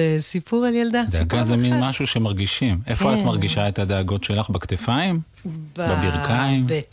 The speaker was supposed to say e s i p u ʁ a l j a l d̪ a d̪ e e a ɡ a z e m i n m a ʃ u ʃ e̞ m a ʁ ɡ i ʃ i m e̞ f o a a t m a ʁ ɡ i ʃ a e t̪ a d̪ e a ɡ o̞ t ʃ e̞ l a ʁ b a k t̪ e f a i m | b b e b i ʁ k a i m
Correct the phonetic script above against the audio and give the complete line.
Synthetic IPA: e s i p u ʁ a l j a l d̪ a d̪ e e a ɡ a z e m i n m a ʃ u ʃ e̞ m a ʁ ɡ i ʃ i m e̞ f o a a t m a ʁ ɡ i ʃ a e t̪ a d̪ e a ɡ o̞ t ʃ e̞ l a χ b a k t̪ e f a i m | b b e b i ʁ k a i m